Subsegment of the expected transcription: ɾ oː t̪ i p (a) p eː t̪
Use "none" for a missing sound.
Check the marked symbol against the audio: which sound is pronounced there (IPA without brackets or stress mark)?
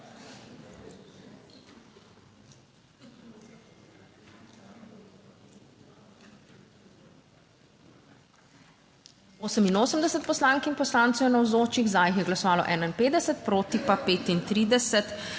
a